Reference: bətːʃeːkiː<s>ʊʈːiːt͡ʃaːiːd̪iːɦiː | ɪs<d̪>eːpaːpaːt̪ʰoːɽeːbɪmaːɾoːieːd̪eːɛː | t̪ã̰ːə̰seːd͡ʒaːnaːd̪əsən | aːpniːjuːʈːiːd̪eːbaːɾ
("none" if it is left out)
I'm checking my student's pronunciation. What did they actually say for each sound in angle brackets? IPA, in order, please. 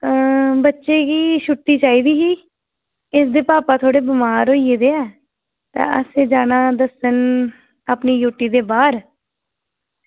ʃ, d̪

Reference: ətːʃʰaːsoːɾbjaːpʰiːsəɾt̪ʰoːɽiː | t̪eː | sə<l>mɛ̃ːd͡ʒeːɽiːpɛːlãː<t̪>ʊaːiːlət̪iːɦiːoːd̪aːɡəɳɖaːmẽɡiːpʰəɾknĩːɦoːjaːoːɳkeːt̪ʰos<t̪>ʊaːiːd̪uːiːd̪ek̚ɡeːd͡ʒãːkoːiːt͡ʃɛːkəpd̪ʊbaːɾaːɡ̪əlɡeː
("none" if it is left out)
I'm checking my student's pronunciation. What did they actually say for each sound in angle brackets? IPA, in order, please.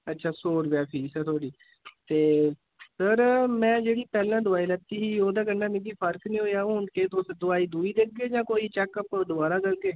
ɾ, d̪, d̪

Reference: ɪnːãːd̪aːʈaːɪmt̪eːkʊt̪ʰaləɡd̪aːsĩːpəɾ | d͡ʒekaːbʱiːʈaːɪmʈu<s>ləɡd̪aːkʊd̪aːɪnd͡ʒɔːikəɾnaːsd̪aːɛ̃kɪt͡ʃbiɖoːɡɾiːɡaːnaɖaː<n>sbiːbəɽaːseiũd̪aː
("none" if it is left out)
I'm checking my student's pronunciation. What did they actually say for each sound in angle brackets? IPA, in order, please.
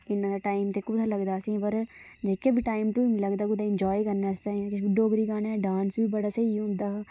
none, n

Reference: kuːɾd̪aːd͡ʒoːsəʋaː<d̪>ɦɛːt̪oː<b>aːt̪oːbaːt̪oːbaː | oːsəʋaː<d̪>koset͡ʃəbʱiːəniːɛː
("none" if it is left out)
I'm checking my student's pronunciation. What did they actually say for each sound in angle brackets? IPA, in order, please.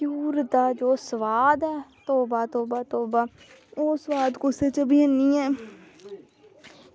d̪, b, d̪

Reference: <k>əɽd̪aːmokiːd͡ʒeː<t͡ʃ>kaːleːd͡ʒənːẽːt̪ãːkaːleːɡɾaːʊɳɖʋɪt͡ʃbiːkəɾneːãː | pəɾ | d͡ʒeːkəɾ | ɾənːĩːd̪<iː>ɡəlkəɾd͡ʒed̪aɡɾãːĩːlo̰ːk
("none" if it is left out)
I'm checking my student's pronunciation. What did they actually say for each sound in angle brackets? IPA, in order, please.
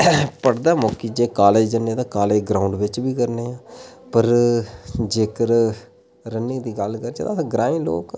p, none, iː

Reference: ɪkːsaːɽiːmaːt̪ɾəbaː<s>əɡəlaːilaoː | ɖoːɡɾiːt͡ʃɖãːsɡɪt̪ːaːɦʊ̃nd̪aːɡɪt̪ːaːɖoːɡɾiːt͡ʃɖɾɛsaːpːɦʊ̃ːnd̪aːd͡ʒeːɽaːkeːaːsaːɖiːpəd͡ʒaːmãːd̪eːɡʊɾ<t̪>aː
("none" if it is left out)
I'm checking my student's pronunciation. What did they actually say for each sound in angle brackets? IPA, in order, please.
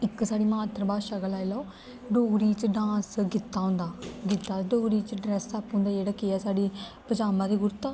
ʃ, t̪

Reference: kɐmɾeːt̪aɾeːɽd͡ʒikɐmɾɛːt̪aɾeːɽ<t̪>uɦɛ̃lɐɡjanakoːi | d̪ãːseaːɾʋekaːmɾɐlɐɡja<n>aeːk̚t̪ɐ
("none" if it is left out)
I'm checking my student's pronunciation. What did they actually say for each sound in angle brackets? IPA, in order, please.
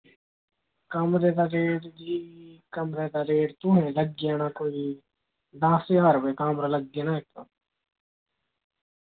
t̪, n

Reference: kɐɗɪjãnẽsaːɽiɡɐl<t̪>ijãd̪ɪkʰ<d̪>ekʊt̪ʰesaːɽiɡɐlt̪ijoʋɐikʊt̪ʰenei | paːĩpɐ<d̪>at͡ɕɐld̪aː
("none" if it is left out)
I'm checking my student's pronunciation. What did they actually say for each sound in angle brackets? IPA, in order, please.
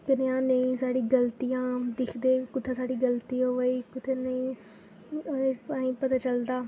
t̪, d̪, t̪

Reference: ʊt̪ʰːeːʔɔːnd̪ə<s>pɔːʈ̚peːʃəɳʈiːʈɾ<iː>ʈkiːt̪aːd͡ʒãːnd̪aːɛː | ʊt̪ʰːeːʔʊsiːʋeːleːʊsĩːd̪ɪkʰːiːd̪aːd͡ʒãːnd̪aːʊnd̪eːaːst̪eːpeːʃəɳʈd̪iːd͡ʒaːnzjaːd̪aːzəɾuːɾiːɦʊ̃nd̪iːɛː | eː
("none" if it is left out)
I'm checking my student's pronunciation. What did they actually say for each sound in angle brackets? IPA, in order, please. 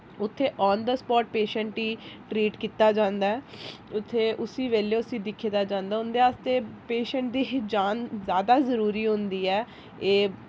s, iː

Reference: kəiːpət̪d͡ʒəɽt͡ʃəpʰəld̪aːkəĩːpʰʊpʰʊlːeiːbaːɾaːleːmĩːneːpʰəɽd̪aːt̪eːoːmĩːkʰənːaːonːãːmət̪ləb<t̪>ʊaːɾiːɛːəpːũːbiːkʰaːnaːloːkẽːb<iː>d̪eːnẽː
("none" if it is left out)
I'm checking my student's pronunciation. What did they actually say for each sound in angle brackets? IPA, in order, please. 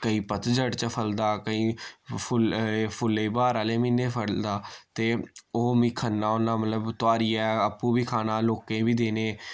t̪, iː

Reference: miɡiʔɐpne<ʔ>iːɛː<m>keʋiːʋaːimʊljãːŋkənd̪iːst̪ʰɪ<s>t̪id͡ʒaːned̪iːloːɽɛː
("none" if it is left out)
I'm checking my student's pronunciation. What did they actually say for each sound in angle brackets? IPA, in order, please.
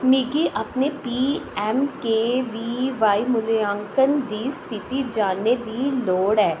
p, m, none

